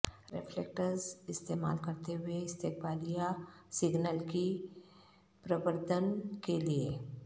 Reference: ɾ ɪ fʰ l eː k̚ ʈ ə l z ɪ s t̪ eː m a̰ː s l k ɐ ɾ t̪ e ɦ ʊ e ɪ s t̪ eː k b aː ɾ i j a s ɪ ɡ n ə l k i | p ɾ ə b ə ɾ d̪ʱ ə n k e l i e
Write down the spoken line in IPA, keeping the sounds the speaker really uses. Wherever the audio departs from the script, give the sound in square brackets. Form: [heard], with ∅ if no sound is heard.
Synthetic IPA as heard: ɾ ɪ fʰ l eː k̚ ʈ ə [ɾ] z ɪ s t̪ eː m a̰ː [∅] l k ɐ ɾ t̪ e ɦ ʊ e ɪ s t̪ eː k b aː [l] i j a s ɪ ɡ n ə l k i | p ɾ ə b ə ɾ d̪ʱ ə n k e l i e